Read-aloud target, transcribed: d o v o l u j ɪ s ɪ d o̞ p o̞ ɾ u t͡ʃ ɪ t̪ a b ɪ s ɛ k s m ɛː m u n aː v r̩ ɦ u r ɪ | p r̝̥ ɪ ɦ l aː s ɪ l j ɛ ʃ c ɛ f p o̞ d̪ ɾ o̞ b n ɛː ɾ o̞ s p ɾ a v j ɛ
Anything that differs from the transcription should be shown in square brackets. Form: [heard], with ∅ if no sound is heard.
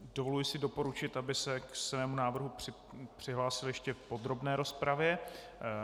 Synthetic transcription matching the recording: d o v o l u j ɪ s ɪ d o̞ p o̞ ɾ u t͡ʃ ɪ t̪ a b ɪ s ɛ k s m ɛː m u n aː v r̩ ɦ u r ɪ | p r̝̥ ɪ ɦ l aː s ɪ l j ɛ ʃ c ɛ f p o̞ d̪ ɾ o̞ b n ɛː ɾ o̞ s p ɾ a v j ɛ